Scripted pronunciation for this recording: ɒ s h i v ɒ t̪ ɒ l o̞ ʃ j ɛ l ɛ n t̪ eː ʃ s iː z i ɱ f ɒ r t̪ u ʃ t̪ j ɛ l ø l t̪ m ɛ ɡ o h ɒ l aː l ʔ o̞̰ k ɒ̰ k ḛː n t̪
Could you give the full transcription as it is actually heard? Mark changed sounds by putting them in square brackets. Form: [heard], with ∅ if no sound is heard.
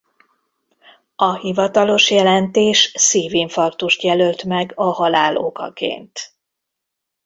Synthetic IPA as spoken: ɒ [∅] h i v ɒ t̪ ɒ l o̞ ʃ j ɛ l ɛ n t̪ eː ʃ s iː [v] i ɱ f ɒ r t̪ u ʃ t̪ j ɛ l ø l t̪ m ɛ ɡ [ɒ] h ɒ l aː l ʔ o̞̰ k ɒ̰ k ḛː n t̪